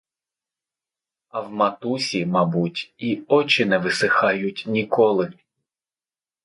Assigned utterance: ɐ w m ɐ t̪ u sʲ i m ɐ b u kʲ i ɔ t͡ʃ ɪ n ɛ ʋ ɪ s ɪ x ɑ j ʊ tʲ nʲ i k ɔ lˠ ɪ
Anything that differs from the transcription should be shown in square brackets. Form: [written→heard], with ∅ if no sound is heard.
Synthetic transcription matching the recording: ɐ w m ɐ t̪ u sʲ i m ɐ b u [kʲ→tʲ] i ɔ t͡ʃ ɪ n ɛ ʋ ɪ s ɪ x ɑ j ʊ tʲ nʲ i k ɔ lˠ ɪ